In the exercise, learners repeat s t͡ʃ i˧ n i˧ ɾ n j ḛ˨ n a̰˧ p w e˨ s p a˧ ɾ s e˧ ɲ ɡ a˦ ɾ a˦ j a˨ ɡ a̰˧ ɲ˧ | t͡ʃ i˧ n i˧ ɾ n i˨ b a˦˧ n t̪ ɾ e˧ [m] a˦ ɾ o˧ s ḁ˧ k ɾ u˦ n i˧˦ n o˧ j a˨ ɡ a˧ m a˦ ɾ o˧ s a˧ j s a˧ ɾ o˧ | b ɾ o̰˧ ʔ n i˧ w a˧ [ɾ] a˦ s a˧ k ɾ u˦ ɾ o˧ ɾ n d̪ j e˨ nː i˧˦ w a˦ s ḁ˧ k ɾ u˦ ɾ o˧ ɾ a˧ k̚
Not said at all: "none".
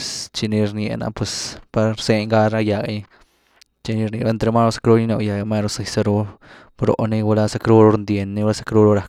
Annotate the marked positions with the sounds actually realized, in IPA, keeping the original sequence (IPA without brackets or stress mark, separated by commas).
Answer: m, l